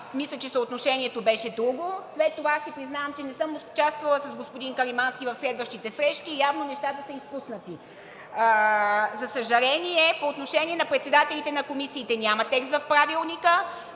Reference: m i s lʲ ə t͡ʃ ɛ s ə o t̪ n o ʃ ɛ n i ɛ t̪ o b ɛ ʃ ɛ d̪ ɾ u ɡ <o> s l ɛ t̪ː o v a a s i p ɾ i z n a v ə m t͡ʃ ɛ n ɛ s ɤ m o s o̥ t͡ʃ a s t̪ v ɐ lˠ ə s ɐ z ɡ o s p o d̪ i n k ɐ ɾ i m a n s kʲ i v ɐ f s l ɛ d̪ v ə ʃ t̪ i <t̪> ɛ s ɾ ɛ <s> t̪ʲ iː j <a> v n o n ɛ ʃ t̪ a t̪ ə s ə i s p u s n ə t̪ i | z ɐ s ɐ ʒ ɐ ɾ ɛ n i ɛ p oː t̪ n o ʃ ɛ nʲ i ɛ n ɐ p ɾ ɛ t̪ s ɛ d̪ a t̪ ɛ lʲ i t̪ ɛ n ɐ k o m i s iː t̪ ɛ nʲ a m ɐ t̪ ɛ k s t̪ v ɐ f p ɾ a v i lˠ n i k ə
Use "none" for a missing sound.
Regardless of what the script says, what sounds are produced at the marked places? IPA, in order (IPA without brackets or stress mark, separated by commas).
o, t̪, ʃ, a